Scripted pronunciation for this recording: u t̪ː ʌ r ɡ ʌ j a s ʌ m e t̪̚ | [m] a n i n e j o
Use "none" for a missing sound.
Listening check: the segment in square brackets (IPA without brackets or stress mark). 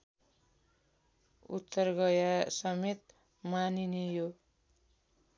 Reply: m